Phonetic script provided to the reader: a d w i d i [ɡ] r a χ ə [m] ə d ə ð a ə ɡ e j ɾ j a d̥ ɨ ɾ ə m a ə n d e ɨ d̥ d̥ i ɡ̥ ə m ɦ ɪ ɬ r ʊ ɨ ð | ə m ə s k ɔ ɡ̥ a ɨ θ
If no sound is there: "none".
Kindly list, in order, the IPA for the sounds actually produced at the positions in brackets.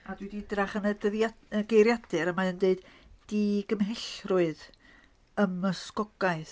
d, n

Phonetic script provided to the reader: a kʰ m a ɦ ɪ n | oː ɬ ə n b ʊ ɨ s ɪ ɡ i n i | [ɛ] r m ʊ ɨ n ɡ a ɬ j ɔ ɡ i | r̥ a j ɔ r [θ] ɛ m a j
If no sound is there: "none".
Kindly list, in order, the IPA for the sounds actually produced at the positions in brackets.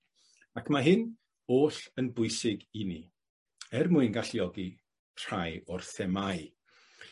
ɛ, θ

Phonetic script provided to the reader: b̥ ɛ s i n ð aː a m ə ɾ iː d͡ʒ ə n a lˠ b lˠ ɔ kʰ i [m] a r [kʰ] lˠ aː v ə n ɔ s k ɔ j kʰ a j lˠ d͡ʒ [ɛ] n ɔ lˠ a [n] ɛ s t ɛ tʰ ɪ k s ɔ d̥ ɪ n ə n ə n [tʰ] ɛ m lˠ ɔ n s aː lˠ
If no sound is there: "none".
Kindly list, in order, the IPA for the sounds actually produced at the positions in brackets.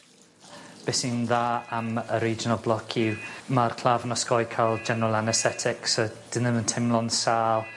m, kʰ, ɛ, n, tʰ

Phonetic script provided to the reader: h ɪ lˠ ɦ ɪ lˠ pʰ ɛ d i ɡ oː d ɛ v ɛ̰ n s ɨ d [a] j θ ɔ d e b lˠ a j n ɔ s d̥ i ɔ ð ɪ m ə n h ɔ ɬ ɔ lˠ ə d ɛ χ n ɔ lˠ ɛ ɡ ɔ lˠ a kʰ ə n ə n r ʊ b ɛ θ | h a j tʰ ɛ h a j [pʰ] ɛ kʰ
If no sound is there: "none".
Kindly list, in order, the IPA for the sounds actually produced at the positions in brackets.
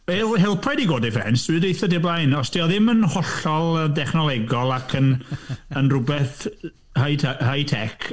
e, tʰ

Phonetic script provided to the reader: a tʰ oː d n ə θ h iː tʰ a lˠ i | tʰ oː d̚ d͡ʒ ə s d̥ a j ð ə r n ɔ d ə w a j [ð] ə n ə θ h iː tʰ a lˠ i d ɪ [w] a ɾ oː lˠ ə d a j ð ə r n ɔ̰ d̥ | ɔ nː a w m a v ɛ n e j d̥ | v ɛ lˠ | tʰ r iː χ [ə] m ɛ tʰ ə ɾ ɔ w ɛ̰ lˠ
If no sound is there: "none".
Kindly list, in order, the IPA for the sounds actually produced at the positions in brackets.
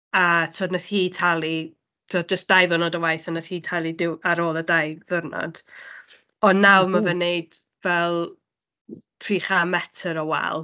θ, w, a

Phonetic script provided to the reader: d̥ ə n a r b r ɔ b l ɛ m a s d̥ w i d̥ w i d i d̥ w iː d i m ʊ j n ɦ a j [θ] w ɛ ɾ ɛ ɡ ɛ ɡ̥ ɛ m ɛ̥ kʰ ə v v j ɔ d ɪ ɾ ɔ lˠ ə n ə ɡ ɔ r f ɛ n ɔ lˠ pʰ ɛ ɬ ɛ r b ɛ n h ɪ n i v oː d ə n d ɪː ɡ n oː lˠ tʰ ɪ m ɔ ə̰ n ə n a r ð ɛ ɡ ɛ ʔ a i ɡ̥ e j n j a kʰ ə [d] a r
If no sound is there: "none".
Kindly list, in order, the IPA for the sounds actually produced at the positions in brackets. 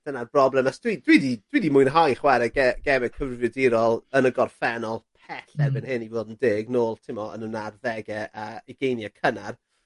χ, n

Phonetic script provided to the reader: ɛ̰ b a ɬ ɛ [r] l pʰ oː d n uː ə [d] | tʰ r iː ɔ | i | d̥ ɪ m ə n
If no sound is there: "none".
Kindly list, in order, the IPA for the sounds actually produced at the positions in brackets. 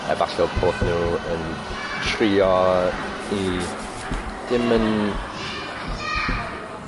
none, n

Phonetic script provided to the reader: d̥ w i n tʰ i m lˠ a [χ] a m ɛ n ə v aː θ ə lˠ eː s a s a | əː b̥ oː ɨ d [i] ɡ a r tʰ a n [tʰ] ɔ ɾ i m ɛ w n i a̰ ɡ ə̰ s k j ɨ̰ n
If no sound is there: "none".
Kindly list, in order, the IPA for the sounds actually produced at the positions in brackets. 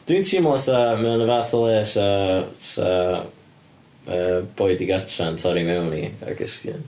θ, i, tʰ

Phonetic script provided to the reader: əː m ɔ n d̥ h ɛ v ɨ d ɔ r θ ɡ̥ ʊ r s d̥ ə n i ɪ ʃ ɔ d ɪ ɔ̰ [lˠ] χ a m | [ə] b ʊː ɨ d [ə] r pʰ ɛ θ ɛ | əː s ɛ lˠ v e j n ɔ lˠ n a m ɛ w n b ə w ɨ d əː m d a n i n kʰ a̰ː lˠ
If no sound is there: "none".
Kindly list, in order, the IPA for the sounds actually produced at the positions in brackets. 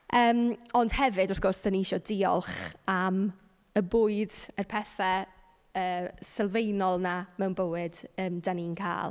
lˠ, ə, ə

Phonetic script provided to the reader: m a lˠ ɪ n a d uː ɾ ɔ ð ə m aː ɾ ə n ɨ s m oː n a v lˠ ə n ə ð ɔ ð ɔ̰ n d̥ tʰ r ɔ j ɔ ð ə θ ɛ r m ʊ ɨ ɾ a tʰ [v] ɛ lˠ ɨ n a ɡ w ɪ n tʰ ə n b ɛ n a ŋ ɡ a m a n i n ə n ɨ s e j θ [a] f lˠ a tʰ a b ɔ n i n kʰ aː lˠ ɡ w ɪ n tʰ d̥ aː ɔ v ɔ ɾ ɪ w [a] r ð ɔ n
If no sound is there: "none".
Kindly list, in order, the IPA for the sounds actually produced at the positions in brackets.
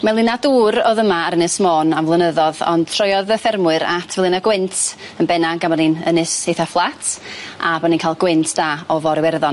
v, a, ɛ

